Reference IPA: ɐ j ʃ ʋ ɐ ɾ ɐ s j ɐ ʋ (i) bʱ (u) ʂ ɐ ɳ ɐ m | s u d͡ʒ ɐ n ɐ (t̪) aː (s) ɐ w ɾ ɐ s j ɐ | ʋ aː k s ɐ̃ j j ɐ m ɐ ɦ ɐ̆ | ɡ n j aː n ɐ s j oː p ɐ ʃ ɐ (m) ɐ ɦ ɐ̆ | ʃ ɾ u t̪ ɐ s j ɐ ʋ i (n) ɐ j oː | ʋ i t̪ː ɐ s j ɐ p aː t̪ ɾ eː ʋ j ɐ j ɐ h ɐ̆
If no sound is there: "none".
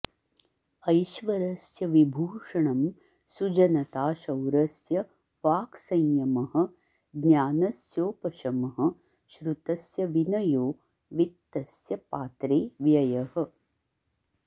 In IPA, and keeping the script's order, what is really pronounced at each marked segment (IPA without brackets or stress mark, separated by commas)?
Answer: i, uː, t̪, ʃ, m, n